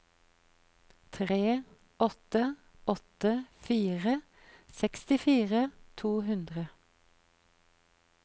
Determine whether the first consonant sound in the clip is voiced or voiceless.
voiceless